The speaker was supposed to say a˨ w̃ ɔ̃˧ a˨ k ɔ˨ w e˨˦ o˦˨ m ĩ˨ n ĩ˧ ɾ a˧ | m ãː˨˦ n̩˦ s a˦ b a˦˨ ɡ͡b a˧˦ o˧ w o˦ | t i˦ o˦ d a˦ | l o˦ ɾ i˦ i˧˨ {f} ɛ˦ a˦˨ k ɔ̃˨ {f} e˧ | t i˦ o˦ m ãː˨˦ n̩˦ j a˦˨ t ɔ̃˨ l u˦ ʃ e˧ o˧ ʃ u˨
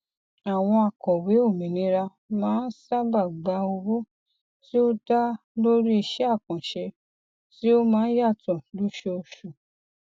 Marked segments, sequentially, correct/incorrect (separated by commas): incorrect, incorrect